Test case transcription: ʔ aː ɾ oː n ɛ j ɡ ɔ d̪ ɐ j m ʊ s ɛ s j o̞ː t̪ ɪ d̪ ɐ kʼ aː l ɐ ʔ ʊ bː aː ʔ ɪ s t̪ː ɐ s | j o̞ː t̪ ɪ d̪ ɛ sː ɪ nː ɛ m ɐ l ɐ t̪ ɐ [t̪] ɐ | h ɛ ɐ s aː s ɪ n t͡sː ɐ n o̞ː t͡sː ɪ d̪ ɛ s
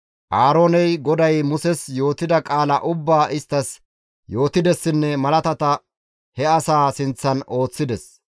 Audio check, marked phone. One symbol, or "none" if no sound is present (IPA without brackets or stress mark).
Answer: t̪